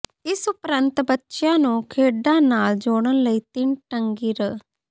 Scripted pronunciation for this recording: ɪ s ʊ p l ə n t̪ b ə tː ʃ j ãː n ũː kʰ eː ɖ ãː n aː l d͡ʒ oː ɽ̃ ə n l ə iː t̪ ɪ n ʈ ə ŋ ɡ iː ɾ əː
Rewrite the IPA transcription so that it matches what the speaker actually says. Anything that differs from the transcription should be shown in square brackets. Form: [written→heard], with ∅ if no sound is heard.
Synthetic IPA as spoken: ɪ s ʊ p [l→ɾ] ə n t̪ b ə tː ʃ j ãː n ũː kʰ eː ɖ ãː n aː l d͡ʒ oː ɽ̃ ə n l ə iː t̪ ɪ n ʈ ə ŋ ɡ iː ɾ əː